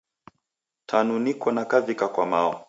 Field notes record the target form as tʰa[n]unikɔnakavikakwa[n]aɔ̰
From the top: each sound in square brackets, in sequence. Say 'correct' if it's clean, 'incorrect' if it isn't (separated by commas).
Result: correct, incorrect